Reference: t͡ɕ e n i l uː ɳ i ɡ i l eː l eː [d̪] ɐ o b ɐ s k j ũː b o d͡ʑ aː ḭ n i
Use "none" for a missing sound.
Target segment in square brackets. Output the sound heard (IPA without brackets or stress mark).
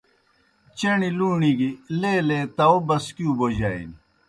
t̪